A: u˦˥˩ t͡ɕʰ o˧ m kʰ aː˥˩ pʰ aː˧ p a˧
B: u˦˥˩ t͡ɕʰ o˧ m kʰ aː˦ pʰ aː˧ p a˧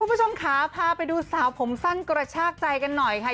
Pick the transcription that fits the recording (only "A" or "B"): B